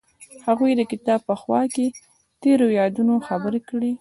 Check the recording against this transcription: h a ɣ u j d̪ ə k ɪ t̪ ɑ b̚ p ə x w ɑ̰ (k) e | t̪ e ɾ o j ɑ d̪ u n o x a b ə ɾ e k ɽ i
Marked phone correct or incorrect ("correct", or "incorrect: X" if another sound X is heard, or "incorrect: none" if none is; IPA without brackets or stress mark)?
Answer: correct